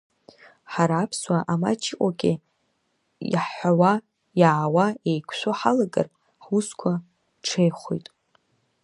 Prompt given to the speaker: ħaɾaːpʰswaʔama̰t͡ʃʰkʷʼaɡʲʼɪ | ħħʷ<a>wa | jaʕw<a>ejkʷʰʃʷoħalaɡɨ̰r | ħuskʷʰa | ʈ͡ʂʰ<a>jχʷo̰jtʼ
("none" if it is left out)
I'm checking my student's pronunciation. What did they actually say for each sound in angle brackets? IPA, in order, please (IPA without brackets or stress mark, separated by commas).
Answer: a, a, e